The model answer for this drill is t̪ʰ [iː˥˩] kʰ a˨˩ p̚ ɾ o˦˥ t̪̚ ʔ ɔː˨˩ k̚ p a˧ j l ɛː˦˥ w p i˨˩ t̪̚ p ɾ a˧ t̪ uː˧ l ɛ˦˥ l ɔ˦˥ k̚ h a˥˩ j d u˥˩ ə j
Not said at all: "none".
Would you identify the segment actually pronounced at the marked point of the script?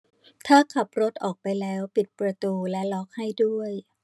aː˥˩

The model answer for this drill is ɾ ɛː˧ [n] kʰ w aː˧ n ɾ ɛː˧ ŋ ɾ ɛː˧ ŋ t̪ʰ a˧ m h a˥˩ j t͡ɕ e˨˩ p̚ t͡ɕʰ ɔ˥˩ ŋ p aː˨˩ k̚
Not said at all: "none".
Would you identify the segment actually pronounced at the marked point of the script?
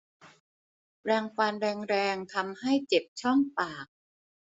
ŋ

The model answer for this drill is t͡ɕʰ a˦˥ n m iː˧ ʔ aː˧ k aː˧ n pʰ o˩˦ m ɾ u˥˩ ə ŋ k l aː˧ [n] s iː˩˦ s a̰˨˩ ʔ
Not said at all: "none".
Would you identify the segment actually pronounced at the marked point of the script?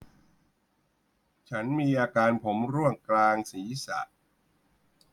ŋ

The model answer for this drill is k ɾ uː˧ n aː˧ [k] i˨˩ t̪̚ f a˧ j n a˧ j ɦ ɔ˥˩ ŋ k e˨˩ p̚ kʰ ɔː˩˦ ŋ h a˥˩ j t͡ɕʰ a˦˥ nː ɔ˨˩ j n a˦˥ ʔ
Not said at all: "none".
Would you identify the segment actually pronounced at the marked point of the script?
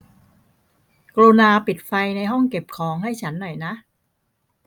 p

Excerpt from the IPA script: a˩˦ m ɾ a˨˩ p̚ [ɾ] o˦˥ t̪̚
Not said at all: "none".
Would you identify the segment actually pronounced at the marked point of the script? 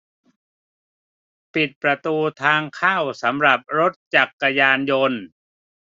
ɾ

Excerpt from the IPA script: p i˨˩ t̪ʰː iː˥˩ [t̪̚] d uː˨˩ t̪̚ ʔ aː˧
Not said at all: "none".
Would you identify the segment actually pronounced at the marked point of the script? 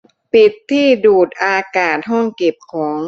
none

